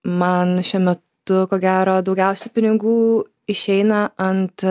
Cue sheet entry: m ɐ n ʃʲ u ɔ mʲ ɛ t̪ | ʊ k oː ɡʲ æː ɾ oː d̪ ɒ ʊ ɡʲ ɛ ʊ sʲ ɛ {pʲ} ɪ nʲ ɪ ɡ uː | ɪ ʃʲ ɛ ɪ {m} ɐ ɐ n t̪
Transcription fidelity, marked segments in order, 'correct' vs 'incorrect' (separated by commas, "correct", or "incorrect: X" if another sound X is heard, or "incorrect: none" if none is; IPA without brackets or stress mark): correct, incorrect: n